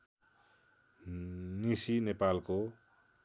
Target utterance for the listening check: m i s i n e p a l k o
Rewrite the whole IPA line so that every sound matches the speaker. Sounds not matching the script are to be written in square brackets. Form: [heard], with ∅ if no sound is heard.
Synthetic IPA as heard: [n] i s i n e p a l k o